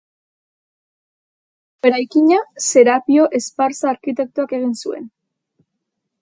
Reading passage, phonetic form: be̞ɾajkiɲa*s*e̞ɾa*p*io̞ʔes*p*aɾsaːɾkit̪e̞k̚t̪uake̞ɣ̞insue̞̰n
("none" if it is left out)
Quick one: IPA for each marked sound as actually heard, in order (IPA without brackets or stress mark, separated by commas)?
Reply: s, p, p